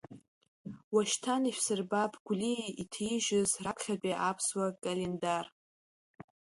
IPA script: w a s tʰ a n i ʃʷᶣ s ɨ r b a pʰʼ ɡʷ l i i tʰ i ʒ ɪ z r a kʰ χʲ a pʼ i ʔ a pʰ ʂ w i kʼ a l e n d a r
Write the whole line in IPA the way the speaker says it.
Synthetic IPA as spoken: w a ʃ tʰ a n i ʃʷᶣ s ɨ r b a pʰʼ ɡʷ l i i tʰ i ʒ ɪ z r a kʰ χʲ a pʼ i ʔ a pʰ s w a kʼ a l e n d a r